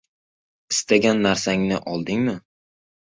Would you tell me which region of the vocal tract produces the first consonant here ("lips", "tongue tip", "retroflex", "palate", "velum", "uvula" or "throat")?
tongue tip